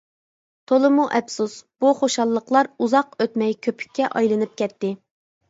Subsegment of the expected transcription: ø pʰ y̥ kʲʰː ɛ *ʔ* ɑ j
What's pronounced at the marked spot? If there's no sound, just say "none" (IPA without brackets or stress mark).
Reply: ʔ